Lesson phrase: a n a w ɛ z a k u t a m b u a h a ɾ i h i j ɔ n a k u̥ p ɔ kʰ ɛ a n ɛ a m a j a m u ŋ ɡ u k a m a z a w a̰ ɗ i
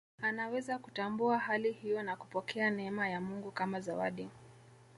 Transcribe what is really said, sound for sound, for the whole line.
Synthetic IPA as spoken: a n a w ɛ z a k u t a m b u a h a l i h i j ɔ n a k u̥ p ɔ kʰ ɛ a n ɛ ɛ m a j a m u ŋ ɡ u k a m a z a w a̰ ɗ i

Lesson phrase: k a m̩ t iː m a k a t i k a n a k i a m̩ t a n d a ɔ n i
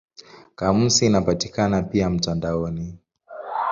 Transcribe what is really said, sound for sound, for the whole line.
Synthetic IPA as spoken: k a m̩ s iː n a p a t i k a n a p i a m̩ t a n d a ɔ n i

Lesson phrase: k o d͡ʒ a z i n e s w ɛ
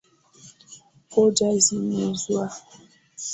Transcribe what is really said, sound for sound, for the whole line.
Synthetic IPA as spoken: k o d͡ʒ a z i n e z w a

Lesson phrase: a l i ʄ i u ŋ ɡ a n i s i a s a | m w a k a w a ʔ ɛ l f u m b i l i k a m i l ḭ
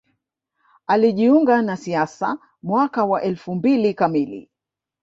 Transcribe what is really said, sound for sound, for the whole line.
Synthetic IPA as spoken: a l i ʄ i u ŋ ɡ a n a s i a s a | m w a k a w a ʔ ɛ l f u m b i l i k a m i l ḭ

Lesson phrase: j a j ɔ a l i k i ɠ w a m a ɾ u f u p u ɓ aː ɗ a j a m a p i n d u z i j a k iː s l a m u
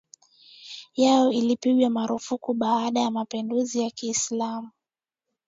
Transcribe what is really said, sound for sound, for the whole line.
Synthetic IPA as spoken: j a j ɔ i l i p i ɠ w a m a ɾ u f u k u ɓ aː ɗ a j a m a p i n d u z i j a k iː s l a m u

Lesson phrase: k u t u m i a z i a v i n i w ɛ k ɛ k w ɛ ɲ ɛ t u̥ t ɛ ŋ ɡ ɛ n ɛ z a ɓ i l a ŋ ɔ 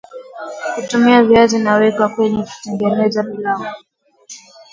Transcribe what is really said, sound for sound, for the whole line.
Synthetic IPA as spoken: k u t u m i a v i a z i n a w ɛ k a k w ɛ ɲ ɛ k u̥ t ɛ ŋ ɡ ɛ n ɛ z a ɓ i l a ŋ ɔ

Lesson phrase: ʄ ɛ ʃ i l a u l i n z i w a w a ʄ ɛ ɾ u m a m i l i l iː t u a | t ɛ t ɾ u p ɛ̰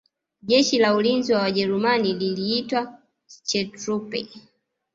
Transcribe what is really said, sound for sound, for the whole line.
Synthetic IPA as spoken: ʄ ɛ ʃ i l a u l i n z i w a w a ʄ ɛ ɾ u m a n i l i l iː t w a | t͡ʃ ɛ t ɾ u p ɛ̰

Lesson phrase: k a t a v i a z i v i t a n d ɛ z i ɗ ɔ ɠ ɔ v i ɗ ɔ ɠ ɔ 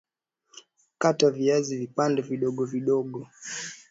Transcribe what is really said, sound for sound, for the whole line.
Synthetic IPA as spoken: k a t a v i a z i v i p a n d ɛ v i ɗ ɔ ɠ ɔ v i ɗ ɔ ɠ ɔ

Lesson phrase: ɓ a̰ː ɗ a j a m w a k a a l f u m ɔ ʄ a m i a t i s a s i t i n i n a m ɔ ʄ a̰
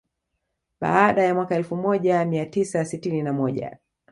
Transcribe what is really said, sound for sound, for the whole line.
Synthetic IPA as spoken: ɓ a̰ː ɗ a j a m w a k a ɛ l f u m ɔ ʄ a m i a t i s a s i t i n i n a m ɔ ʄ a̰

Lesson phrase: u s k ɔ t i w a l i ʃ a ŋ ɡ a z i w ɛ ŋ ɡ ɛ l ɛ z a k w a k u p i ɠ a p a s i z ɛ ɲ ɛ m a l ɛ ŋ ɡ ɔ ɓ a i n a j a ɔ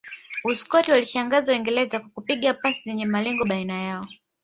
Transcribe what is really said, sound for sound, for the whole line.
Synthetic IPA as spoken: u s k ɔ t i w a l i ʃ a ŋ ɡ a z a w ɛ ŋ ɡ ɛ l ɛ z a k w a k u p i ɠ a p a s i z ɛ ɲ ɛ m a l ɛ ŋ ɡ ɔ ɓ a i n a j a ɔ

